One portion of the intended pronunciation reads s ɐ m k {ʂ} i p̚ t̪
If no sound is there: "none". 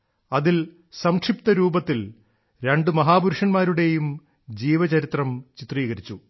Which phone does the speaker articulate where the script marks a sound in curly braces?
ʂ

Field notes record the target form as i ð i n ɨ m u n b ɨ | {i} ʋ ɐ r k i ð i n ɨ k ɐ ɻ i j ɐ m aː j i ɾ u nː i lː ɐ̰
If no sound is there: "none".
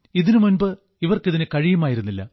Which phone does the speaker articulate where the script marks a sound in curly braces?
i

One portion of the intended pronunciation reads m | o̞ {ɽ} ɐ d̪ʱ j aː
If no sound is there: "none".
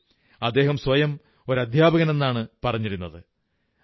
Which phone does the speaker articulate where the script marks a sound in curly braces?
ɾ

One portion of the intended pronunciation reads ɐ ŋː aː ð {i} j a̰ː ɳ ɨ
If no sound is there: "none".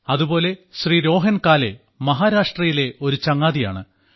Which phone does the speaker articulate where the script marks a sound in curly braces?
i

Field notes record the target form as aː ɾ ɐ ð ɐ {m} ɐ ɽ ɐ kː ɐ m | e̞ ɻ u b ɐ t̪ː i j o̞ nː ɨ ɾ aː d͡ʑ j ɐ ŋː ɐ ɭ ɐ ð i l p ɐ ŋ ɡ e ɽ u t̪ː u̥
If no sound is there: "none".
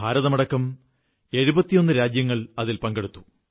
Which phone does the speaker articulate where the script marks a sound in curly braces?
m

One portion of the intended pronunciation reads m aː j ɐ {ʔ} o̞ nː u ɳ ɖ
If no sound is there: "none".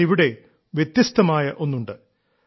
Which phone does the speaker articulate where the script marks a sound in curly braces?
ʔ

